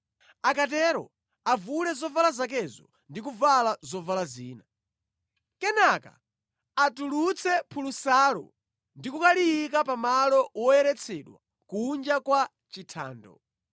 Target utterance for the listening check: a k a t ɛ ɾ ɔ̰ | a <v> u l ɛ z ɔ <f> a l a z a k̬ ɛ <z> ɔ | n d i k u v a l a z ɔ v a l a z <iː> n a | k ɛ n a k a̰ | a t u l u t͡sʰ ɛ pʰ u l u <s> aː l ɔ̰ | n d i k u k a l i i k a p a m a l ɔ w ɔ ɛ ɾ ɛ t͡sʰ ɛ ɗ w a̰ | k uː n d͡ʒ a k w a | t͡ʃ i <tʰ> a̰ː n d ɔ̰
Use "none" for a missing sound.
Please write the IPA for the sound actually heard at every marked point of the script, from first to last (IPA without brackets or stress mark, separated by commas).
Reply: v, v, z, iː, s, tʰ